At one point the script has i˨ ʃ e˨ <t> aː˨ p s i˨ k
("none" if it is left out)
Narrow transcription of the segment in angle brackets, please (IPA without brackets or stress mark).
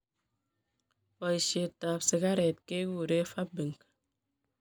t